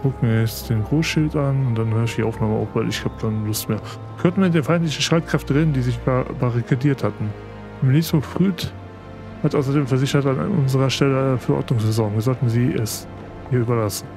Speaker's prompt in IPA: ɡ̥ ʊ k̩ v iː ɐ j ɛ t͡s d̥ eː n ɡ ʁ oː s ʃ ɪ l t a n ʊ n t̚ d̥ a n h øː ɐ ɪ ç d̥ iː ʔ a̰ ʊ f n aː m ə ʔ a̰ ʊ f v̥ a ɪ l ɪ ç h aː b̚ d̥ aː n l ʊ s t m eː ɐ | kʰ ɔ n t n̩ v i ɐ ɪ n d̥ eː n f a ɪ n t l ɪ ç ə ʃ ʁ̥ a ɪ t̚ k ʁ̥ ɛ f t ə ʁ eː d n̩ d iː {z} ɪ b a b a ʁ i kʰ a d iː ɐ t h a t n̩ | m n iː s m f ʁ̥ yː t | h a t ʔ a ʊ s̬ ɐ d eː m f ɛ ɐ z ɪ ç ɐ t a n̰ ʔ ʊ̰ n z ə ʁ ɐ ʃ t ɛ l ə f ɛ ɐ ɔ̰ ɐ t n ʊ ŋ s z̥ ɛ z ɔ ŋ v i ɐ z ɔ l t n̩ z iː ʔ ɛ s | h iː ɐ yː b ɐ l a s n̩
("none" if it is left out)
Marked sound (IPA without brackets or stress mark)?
z